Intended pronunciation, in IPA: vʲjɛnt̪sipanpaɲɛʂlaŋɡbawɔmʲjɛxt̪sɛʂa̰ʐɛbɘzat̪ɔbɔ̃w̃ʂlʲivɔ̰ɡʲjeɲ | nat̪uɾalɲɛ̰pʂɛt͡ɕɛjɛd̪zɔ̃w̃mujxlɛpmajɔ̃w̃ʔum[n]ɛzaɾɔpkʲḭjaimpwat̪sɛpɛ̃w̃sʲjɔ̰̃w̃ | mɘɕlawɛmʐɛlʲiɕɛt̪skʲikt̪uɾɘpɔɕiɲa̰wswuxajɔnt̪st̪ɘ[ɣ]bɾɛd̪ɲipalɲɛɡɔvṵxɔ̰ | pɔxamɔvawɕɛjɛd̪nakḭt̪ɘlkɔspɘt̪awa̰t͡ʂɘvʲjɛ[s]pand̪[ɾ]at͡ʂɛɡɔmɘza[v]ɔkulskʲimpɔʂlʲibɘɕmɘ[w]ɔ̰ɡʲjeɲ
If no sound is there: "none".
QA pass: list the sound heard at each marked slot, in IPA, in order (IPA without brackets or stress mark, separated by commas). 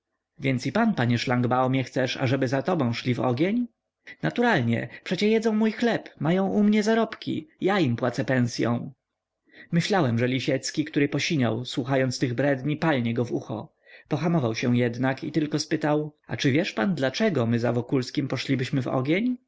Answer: ɲ, ɣ, ʂ, l, v, v